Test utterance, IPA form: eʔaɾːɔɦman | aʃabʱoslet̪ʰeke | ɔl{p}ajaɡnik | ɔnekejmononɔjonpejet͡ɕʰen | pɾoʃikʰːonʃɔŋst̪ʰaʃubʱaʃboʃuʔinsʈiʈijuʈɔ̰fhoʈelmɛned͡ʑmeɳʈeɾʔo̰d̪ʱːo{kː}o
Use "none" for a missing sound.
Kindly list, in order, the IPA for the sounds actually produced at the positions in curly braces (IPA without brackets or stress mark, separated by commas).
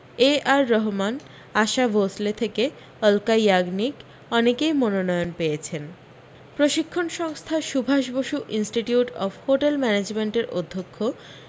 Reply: k, kʰː